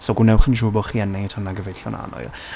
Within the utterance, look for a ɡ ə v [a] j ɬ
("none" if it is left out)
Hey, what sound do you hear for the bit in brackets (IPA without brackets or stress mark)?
e